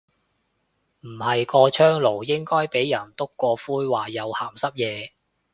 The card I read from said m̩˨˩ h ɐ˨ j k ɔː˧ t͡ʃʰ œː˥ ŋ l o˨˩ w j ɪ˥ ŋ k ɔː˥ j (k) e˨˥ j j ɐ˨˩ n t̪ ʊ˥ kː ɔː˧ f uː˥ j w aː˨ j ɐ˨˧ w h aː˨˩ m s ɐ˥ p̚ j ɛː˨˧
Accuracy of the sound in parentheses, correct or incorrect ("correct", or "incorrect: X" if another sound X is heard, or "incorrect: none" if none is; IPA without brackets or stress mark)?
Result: incorrect: p